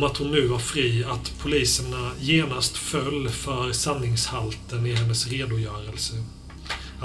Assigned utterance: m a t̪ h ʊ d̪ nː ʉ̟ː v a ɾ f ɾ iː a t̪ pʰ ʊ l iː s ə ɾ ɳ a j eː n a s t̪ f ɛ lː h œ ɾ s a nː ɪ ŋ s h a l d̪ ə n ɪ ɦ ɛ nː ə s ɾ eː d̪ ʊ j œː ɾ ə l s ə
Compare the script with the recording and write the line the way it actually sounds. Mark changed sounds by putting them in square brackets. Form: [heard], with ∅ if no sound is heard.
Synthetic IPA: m a t̪ h ʊ [∅] nː ʉ̟ː v a ɾ f ɾ iː a t̪ pʰ ʊ l iː s ə [∅] ɳ a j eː n a s t̪ f [œ] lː [f] œ ɾ s a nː ɪ ŋ s h a l [t̪] ə n ɪ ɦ ɛ nː ə s ɾ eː d̪ ʊ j œː ɾ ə l s ə